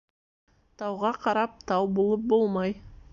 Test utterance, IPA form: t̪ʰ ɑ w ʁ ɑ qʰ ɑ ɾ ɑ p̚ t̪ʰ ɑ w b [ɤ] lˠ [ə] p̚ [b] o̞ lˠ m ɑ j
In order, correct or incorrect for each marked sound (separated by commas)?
incorrect, correct, correct